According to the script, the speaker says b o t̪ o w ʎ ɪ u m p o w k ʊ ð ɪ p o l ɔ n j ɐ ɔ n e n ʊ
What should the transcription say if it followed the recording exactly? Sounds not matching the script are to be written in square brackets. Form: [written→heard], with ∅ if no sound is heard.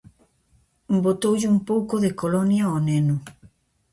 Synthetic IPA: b o t̪ o w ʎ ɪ u m p o w k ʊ ð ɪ [p→k] o l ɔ n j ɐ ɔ n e n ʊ

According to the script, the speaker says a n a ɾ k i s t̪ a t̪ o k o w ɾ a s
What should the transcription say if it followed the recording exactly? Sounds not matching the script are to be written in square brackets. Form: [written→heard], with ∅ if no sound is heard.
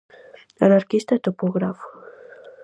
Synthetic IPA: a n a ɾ k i s t̪ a t̪ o [k→p] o [w→ɣ] ɾ a [s→f]

